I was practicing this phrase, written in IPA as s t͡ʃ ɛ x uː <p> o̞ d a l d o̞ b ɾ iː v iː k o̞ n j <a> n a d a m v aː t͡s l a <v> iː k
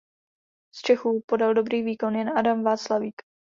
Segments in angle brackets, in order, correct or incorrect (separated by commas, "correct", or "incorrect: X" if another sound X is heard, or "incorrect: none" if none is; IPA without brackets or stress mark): correct, incorrect: ɛ, correct